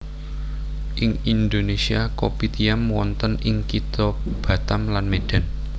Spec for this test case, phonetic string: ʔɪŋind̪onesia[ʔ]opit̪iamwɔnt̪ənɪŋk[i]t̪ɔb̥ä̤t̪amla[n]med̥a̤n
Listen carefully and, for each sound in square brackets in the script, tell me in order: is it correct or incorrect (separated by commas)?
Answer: incorrect, correct, correct